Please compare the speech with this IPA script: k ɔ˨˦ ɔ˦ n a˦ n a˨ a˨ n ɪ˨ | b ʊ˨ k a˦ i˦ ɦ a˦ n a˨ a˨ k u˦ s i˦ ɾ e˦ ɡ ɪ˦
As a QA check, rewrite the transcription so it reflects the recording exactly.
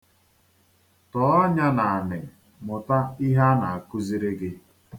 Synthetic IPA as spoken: t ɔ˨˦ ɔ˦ ɲ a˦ n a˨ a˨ n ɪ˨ | m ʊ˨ t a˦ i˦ ɦ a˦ n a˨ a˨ k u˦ z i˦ ɾ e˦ ɡ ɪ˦